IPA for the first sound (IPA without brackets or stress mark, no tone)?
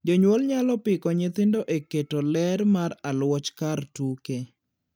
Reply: d͡ʒ